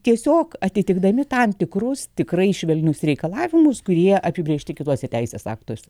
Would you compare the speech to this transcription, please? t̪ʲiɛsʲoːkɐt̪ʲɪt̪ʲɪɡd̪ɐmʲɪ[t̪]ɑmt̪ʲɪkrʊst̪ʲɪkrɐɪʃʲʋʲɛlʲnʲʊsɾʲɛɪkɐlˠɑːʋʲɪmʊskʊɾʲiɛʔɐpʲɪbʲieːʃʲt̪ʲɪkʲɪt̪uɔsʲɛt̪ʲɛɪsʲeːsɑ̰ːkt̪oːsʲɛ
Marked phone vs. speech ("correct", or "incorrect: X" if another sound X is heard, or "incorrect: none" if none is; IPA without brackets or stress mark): correct